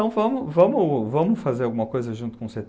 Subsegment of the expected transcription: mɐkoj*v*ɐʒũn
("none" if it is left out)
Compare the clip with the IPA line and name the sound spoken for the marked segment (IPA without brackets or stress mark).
z